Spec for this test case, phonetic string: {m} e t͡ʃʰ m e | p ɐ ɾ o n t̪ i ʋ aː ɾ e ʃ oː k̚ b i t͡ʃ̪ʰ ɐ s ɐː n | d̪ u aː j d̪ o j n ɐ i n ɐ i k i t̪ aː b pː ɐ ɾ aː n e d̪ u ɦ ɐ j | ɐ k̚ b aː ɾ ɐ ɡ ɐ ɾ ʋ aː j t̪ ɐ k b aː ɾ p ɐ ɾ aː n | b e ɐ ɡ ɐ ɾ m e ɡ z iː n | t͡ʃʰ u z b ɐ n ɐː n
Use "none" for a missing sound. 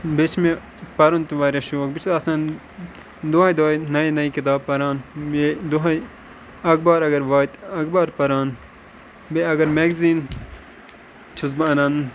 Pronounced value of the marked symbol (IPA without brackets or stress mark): b